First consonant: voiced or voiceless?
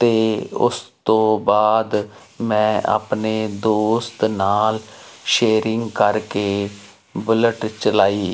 voiceless